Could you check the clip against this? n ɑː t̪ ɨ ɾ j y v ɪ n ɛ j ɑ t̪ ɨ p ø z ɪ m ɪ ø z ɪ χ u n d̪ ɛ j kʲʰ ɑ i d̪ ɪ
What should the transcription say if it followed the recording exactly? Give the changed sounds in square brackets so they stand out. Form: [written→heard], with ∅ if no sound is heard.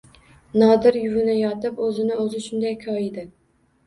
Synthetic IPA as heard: n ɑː [t̪→d̪] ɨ ɾ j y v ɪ n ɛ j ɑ t̪ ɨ p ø z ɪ [m→n] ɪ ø z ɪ [χ→ʃ] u n d̪ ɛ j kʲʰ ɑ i d̪ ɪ